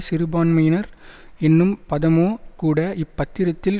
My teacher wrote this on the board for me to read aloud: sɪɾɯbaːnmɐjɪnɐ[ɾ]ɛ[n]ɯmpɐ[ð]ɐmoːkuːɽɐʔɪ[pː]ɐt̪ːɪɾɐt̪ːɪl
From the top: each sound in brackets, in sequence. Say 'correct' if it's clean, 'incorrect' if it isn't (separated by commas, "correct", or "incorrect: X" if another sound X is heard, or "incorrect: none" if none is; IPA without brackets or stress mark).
correct, incorrect: nː, correct, correct